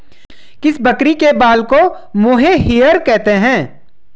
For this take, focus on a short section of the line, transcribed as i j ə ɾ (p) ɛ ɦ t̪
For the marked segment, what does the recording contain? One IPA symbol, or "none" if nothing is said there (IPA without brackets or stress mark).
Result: k